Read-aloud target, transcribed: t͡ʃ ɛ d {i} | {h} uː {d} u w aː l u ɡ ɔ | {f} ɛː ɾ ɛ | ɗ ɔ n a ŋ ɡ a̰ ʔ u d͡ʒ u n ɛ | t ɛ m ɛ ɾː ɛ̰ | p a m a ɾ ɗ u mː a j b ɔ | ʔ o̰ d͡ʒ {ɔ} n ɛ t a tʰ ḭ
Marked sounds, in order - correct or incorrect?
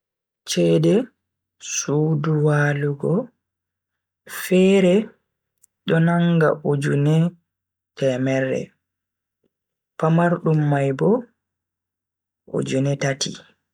incorrect, incorrect, correct, correct, incorrect

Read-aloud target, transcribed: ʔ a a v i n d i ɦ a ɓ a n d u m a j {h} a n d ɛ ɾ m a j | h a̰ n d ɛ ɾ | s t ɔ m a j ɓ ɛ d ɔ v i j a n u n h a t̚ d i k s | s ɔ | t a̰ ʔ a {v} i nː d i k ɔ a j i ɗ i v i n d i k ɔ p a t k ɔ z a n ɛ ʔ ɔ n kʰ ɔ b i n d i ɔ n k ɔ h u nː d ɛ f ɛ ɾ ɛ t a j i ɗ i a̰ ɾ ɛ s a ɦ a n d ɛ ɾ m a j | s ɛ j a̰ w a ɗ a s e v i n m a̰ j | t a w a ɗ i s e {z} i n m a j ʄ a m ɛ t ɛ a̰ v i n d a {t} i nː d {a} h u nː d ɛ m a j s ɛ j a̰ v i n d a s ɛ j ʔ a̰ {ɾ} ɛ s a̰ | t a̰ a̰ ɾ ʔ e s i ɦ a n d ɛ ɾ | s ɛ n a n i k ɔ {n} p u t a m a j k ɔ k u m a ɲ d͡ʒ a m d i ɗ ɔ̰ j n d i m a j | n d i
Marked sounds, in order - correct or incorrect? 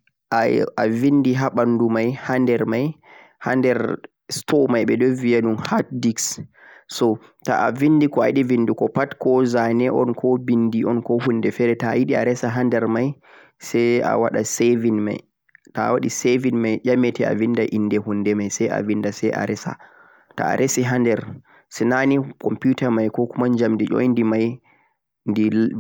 correct, correct, incorrect, incorrect, incorrect, correct, incorrect

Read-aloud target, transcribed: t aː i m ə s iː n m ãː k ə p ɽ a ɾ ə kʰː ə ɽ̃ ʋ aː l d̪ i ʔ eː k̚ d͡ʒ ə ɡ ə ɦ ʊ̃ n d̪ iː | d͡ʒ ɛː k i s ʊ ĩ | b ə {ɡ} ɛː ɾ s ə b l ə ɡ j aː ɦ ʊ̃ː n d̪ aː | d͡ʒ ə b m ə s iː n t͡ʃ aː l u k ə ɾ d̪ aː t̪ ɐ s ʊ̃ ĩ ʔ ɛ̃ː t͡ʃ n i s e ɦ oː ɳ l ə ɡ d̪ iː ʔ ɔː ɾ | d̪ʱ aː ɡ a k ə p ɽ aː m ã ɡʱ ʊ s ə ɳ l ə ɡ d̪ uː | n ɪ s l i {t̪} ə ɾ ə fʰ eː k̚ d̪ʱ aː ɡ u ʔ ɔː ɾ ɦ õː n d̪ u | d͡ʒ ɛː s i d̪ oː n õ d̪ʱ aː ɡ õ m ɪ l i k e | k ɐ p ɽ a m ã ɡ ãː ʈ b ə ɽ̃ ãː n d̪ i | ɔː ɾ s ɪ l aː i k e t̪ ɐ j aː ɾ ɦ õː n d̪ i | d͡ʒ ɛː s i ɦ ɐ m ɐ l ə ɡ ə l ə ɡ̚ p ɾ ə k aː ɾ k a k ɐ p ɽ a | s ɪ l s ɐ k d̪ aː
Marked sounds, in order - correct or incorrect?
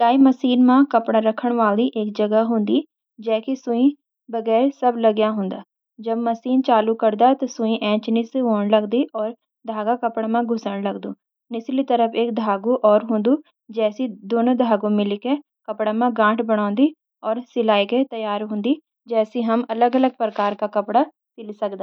correct, correct

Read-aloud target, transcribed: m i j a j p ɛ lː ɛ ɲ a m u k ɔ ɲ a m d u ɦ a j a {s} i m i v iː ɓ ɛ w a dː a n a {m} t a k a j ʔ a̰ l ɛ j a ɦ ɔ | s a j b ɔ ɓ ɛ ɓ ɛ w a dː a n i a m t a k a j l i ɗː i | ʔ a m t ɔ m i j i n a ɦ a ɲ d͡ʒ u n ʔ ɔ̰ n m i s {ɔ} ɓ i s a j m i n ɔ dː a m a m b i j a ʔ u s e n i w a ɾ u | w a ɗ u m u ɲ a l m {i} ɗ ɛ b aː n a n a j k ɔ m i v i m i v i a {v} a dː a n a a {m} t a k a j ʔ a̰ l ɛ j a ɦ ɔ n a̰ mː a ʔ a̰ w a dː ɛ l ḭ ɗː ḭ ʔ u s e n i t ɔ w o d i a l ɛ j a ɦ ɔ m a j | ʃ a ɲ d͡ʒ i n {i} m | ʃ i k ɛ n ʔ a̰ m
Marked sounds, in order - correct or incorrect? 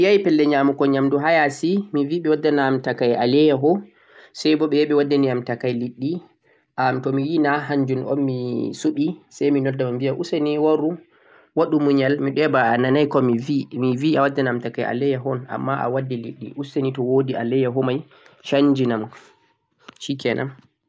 correct, correct, incorrect, correct, incorrect, correct, incorrect

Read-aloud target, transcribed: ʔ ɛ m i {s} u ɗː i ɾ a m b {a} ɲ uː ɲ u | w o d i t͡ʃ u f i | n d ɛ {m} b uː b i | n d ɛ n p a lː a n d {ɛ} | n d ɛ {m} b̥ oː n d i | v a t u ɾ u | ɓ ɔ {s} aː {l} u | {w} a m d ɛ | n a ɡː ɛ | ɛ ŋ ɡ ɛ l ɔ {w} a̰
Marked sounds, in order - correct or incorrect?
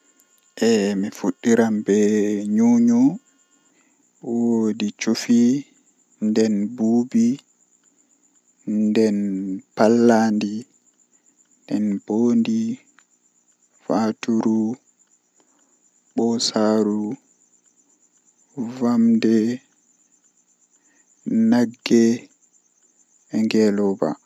incorrect, incorrect, incorrect, incorrect, incorrect, correct, incorrect, incorrect, incorrect

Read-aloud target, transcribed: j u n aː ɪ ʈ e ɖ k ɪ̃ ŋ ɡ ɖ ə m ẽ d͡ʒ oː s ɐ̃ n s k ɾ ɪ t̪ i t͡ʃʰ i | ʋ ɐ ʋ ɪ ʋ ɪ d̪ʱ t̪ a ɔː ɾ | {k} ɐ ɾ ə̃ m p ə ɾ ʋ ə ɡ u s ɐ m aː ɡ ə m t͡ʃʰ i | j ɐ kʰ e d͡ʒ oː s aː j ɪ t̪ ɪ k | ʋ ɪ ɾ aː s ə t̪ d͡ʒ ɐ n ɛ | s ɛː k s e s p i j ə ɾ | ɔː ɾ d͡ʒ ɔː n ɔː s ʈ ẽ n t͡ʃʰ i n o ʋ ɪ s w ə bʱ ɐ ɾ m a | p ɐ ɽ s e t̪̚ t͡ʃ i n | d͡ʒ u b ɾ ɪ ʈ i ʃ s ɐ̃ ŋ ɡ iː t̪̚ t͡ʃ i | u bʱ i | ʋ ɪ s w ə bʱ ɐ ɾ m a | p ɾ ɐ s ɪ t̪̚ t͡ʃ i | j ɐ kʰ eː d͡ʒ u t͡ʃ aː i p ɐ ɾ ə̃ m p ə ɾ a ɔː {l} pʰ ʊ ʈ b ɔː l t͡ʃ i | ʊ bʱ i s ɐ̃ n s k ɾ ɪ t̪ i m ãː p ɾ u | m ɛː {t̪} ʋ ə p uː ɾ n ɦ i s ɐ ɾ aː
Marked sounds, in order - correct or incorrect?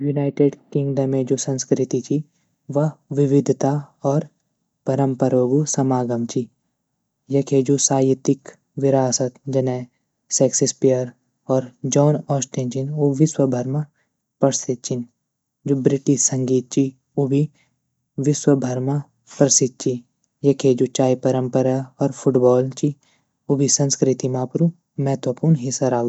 incorrect, incorrect, correct

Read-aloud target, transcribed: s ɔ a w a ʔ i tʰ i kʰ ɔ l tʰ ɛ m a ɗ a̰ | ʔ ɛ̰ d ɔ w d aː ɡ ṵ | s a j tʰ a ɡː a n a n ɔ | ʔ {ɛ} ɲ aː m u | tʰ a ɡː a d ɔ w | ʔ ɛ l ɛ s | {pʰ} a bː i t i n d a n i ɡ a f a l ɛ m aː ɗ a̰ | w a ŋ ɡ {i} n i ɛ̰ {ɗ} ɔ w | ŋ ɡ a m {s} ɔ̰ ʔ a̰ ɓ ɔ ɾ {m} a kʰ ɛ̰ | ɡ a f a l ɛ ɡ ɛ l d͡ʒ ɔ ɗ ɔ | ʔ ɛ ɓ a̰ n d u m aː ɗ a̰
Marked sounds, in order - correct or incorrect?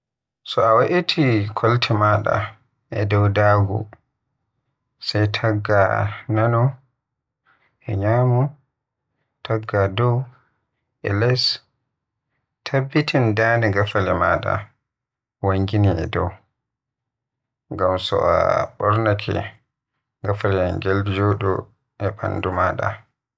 correct, incorrect, correct, incorrect, correct, incorrect

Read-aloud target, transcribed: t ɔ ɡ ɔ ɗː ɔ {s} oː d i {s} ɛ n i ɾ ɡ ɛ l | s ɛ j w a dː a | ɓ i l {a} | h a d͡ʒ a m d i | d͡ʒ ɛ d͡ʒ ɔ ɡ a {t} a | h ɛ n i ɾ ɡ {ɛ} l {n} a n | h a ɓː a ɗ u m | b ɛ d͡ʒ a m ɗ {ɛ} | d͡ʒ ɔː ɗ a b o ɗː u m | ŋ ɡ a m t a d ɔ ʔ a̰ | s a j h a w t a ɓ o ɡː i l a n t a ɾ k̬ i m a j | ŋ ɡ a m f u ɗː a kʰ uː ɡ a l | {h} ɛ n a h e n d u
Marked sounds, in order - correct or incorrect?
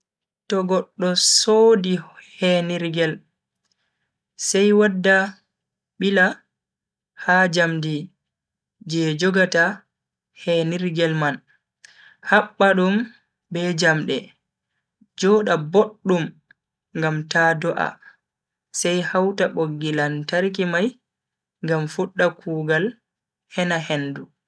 correct, incorrect, correct, correct, correct, incorrect, correct, correct

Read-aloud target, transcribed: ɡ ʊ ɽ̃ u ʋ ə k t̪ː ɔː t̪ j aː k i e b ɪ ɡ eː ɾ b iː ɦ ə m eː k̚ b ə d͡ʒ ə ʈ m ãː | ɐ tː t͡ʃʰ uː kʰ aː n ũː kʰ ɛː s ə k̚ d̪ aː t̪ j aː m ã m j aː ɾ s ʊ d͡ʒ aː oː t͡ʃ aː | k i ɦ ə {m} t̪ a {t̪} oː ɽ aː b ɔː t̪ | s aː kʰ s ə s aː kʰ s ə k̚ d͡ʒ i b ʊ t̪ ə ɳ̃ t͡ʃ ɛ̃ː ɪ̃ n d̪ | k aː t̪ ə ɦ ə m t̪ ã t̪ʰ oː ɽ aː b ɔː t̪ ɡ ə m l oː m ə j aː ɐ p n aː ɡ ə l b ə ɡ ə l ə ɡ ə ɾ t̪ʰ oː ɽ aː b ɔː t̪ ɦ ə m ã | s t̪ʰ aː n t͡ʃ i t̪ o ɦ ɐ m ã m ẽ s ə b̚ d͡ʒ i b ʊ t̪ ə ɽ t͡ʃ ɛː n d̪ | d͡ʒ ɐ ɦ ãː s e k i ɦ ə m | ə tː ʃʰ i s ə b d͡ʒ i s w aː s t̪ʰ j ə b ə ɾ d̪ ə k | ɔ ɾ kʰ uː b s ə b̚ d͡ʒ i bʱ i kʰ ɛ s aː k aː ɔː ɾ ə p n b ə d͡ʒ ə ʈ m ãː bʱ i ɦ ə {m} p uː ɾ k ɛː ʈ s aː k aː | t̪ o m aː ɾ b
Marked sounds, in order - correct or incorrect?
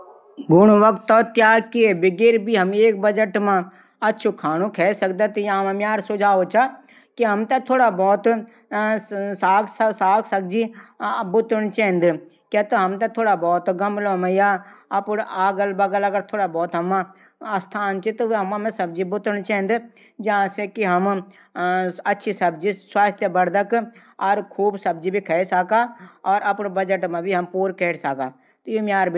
correct, incorrect, correct

